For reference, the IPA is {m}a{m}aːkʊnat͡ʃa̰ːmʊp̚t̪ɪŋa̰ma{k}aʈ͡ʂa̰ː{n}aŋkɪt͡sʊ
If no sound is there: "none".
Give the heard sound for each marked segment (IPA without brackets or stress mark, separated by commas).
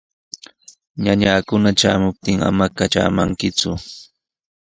ɲ, ɲ, k, m